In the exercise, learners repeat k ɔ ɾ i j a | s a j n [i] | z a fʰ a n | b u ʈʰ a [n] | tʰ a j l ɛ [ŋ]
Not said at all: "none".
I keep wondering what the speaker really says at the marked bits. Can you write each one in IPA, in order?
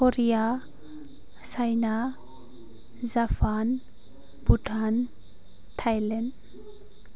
a, n, n

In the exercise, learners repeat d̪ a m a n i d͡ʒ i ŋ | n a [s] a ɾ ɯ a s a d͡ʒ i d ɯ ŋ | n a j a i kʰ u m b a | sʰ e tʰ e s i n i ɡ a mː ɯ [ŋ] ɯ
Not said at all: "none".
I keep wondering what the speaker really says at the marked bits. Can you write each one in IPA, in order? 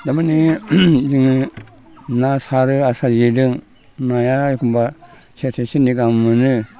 s, n

